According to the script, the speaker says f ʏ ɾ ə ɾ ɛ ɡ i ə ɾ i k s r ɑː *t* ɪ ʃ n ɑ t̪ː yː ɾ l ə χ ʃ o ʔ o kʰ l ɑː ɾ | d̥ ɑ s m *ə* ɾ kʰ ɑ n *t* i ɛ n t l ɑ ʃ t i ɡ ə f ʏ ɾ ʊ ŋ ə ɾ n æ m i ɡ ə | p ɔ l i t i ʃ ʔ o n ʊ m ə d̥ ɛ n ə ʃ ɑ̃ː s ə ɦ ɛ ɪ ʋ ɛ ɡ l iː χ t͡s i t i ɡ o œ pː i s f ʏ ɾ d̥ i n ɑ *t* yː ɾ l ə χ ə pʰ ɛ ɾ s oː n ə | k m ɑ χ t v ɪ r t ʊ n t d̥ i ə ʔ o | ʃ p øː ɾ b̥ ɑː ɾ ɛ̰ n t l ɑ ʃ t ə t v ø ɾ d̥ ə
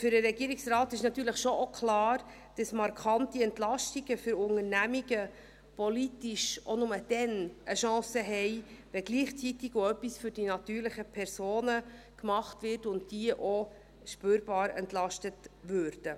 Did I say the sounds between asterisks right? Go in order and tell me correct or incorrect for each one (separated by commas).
correct, incorrect, correct, correct